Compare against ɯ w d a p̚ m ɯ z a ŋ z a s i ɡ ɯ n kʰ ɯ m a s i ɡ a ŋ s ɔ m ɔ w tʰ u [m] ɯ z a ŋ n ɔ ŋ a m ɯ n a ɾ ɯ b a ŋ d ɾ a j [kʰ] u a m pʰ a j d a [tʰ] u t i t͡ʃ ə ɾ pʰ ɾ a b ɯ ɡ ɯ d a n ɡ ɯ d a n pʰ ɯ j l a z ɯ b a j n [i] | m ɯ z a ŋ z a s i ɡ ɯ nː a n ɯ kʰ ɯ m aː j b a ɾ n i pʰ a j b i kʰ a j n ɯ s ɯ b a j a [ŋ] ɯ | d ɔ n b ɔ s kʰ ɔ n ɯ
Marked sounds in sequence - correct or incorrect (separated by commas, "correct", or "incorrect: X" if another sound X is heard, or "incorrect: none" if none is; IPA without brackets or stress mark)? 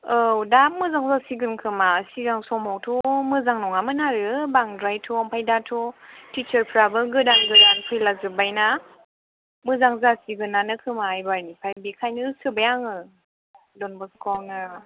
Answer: correct, incorrect: tʰ, correct, incorrect: a, correct